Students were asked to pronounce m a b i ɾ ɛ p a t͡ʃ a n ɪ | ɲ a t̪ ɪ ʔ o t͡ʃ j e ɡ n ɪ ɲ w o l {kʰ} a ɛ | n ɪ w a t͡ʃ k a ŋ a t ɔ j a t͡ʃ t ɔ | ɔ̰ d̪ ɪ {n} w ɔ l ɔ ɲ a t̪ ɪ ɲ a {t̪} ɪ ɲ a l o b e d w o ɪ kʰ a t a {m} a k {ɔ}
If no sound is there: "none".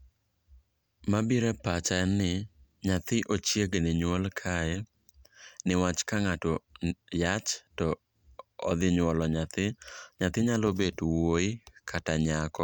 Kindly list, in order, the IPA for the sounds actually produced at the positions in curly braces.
kʰ, ɲ, t̪, ɲ, ɔ

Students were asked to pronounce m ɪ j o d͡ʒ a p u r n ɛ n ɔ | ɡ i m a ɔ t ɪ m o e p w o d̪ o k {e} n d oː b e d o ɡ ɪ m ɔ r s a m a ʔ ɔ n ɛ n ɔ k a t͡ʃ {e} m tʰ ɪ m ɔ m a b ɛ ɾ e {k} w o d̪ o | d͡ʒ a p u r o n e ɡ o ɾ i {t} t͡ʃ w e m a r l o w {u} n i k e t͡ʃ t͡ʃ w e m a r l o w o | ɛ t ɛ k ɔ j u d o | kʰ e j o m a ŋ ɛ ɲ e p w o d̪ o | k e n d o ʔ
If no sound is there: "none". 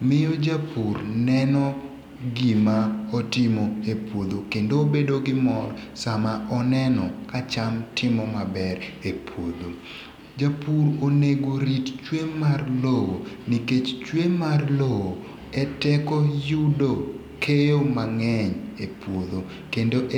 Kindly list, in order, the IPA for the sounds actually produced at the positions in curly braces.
e, a, p, t, o

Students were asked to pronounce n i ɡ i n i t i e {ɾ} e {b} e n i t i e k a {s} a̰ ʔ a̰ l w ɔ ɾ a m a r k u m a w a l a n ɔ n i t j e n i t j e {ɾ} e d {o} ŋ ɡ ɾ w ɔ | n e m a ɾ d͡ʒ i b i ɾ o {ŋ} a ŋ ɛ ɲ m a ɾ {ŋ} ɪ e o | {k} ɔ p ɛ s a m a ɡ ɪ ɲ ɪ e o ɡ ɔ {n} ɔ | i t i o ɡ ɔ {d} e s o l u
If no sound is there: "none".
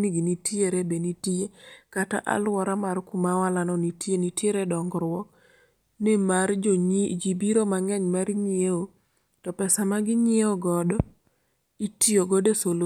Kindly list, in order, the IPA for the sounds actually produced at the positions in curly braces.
ɾ, b, t, ɾ, ɔ, m, ɲ, t, d, d

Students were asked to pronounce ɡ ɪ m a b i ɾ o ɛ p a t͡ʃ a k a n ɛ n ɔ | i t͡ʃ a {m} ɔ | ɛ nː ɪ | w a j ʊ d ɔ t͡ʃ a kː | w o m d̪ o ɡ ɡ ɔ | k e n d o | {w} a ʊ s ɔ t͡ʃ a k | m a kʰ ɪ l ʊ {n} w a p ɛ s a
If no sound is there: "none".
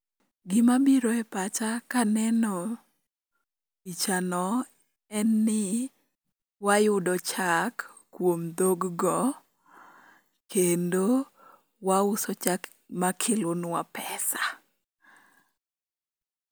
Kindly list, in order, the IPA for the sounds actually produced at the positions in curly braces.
n, w, n

